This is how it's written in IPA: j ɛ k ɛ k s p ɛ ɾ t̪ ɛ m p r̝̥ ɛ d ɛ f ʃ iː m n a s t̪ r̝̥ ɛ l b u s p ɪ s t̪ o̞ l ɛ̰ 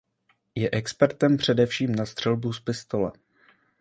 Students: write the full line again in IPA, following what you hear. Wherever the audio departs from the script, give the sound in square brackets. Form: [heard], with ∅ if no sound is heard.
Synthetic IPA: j ɛ [ʔ] ɛ k s p ɛ ɾ t̪ ɛ m p r̝̥ ɛ d ɛ f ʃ iː m n a s t̪ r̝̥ ɛ l b u s p ɪ s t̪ o̞ l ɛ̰